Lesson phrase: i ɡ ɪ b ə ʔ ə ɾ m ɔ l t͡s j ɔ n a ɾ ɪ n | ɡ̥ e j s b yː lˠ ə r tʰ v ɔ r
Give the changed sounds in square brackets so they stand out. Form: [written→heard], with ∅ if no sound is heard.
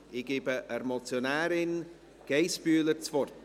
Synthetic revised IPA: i ɡ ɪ b ə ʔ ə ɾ m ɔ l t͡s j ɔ n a ɾ ɪ n | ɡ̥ e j s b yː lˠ ə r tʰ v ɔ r